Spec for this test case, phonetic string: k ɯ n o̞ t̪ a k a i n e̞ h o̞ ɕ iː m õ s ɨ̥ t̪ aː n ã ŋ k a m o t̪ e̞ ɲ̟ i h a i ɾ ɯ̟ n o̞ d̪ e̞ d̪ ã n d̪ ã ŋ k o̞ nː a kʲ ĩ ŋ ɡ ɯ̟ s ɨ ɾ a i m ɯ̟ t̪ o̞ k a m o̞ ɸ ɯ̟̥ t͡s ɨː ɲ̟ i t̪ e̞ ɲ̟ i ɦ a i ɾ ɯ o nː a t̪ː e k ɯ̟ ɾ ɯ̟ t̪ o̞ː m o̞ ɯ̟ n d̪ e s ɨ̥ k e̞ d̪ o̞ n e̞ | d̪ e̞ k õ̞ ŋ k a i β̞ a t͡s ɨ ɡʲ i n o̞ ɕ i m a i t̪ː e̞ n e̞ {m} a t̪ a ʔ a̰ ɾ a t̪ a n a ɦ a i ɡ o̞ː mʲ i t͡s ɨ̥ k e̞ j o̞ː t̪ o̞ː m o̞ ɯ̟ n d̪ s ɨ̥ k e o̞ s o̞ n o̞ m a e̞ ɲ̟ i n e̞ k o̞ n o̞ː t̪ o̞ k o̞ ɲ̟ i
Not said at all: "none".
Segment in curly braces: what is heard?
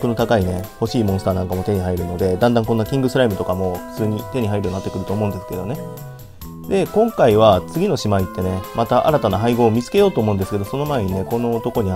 m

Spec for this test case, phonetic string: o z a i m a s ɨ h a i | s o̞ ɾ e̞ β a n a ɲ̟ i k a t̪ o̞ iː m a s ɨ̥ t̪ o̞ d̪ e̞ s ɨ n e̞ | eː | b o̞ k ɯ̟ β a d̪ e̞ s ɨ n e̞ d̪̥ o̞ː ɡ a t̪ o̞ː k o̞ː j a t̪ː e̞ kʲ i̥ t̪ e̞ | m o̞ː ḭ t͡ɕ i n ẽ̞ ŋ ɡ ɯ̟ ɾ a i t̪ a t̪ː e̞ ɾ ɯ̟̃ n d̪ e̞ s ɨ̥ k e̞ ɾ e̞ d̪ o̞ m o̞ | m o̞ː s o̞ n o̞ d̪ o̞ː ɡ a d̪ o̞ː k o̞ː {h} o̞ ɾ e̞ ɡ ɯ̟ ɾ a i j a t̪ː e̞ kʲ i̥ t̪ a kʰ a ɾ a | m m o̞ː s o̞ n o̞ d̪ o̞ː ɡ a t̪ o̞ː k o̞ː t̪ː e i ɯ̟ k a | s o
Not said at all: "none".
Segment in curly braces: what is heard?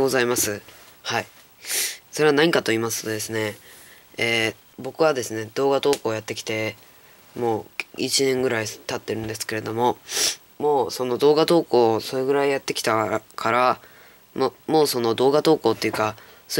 s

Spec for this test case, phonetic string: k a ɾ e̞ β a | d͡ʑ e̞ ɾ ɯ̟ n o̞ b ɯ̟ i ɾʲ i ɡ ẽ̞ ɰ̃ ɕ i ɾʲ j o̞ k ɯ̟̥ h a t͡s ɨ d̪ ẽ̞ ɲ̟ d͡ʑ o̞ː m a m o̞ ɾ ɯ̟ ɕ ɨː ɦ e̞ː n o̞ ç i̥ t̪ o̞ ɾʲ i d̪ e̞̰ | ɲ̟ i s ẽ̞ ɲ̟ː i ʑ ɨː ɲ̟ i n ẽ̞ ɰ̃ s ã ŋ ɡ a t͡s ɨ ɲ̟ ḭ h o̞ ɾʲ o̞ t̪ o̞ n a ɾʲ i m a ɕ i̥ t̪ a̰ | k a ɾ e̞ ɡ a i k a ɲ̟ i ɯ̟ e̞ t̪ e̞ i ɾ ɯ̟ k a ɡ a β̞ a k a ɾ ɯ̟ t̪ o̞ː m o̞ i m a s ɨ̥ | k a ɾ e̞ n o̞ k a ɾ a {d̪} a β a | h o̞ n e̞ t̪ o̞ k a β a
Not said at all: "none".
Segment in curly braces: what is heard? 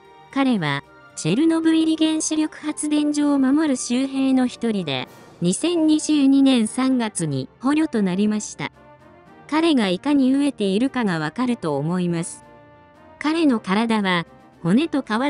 d̪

